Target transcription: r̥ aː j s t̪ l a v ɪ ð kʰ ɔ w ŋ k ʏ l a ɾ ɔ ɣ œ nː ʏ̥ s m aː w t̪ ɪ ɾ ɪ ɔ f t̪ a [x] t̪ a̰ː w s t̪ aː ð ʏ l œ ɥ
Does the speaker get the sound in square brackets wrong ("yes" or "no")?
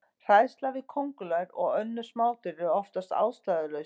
yes